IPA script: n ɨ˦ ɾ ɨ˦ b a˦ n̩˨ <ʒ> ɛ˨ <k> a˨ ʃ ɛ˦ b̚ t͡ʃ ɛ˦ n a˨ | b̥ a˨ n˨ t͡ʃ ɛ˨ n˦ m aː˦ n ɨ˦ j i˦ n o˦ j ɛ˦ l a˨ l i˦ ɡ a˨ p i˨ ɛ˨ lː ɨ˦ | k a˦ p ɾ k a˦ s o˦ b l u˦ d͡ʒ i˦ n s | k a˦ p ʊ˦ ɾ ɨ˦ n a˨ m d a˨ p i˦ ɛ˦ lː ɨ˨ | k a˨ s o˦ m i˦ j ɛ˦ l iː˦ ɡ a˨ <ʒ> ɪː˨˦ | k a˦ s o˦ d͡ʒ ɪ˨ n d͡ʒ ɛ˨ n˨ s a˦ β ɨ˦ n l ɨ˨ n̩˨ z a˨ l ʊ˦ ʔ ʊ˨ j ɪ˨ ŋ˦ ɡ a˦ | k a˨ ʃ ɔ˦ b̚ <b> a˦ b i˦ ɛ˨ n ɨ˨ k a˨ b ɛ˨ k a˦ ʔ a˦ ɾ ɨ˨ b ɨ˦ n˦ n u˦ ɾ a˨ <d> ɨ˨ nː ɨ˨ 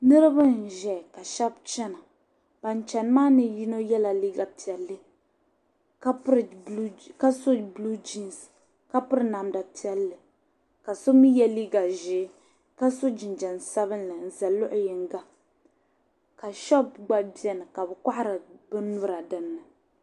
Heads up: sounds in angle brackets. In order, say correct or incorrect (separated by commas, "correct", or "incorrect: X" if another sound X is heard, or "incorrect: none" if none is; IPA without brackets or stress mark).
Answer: correct, correct, correct, incorrect: ɡ͡b, correct